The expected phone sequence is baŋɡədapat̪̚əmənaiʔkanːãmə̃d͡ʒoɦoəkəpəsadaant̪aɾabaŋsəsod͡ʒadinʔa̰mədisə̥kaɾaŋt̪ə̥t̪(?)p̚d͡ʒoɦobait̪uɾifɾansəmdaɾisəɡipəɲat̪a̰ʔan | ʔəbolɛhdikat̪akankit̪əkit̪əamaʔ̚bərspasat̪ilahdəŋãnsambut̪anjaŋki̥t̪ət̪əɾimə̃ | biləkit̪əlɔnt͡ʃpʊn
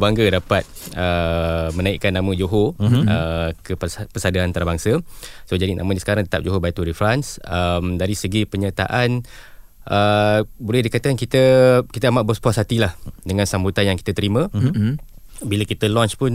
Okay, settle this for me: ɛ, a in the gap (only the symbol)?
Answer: a